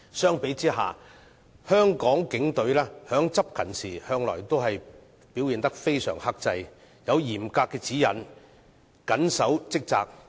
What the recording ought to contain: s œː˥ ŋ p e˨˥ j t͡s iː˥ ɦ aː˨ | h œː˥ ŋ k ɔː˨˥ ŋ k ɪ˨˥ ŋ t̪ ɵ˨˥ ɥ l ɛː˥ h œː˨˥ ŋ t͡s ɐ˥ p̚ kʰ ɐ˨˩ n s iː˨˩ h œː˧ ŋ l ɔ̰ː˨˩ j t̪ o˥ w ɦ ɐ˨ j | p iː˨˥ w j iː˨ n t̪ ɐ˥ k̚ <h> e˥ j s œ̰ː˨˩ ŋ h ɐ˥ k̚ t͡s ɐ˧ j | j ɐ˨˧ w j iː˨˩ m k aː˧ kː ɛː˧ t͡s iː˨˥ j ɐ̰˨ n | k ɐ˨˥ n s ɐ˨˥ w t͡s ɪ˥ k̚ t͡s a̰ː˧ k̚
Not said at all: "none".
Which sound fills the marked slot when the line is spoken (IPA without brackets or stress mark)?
f